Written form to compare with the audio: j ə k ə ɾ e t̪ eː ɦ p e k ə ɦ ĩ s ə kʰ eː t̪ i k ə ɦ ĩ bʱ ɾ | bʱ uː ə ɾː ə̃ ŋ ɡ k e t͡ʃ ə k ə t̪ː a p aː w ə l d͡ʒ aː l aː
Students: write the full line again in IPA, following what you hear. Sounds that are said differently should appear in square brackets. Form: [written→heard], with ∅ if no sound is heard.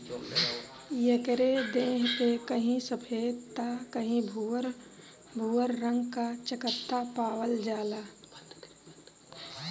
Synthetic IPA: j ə k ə ɾ e [t̪→d̪] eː ɦ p e k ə ɦ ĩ s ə [kʰ→pʰ] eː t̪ [i→a] k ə ɦ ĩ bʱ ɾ | bʱ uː ə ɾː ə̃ ŋ ɡ k [e→a] t͡ʃ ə k ə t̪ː a p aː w ə l d͡ʒ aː l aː